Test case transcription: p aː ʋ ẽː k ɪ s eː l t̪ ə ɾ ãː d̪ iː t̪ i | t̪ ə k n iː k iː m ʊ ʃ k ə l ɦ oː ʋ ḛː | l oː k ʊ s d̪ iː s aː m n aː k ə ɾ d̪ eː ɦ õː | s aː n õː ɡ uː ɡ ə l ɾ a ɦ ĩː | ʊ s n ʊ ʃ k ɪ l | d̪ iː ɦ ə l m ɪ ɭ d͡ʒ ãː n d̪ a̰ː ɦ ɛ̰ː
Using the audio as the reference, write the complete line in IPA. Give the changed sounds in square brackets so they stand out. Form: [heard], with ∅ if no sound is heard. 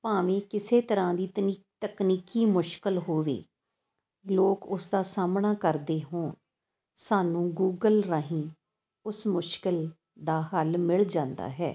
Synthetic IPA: p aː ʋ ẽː k ɪ s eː [∅] t̪ ə ɾ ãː d̪ iː t̪ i | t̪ ə k n iː k iː m ʊ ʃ k ə l ɦ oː ʋ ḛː | l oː k ʊ s d̪ [aː] s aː m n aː k ə ɾ d̪ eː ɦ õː | s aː n [ũː] ɡ uː ɡ ə l ɾ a ɦ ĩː | ʊ s [m] ʊ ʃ k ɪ l | d̪ [aː] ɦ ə l m ɪ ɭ d͡ʒ ãː n d̪ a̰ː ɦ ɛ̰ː